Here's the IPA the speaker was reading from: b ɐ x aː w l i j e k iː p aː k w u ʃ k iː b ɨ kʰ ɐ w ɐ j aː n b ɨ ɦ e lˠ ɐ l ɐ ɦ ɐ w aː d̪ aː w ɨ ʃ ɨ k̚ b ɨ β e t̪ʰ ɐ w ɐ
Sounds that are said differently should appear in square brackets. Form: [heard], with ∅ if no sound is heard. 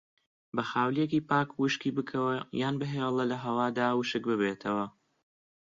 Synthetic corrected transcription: b ɐ x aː w l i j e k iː p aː k w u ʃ k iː b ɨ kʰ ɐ w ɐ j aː n b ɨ ɦ e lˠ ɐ l ɐ ɦ ɐ w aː d̪ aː w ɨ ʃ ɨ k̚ b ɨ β e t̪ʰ ɐ w ɐ

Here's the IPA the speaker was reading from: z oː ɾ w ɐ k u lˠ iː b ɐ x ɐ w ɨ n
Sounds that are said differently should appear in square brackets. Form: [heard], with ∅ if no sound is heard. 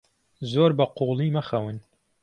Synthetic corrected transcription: z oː ɾ [b] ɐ [q] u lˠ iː [m] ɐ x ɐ w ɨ n

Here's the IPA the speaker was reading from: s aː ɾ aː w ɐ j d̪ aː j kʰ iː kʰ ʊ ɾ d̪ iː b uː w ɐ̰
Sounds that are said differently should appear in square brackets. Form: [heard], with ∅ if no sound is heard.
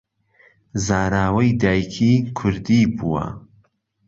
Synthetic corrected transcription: [z] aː ɾ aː w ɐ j d̪ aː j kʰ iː kʰ ʊ ɾ d̪ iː b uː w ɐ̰

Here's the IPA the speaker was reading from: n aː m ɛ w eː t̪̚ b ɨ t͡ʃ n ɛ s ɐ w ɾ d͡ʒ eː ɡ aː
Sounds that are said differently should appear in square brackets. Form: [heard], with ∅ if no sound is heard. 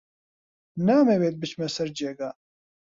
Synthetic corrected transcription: n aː m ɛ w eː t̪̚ b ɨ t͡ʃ [m] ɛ s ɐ [∅] ɾ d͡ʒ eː ɡ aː

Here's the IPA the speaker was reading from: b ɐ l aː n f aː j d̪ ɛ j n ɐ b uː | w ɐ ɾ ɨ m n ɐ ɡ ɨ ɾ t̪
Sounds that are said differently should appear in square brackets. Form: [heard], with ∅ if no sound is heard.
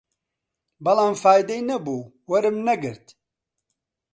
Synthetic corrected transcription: b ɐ l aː [m] f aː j d̪ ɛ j n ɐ b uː | w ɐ ɾ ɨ m n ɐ ɡ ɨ ɾ t̪

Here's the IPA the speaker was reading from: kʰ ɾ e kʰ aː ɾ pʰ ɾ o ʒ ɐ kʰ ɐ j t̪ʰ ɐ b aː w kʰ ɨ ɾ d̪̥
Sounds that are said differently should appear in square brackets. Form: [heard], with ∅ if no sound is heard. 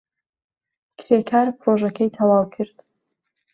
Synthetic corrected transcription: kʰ ɾ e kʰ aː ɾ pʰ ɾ o ʒ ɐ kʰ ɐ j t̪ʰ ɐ [w] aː w kʰ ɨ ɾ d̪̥

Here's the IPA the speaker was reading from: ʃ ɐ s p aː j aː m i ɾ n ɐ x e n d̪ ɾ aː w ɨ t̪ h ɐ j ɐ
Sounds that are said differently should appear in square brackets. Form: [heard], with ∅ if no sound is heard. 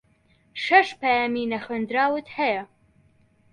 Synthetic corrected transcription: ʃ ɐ [ʃ] p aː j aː m i [∅] n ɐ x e n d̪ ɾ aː w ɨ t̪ h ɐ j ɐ

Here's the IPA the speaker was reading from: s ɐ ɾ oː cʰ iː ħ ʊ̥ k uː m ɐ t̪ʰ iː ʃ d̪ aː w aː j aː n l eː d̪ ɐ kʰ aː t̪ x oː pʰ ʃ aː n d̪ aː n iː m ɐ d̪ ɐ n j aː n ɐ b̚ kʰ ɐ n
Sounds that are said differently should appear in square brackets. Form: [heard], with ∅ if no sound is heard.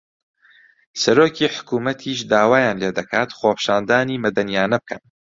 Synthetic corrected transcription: s ɐ ɾ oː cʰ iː ħ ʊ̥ k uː m ɐ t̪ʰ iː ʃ d̪ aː w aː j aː n l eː d̪ ɐ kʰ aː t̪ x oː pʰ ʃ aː n d̪ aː n iː m ɐ d̪ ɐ n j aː n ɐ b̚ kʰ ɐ n

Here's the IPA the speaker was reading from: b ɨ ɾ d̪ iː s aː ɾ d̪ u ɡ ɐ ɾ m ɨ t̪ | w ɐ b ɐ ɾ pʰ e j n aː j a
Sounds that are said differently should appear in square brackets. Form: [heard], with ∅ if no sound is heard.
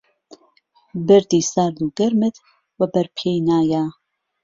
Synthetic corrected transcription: b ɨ ɾ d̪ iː s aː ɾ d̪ u ɡ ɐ ɾ m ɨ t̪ | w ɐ b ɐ ɾ pʰ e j n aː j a

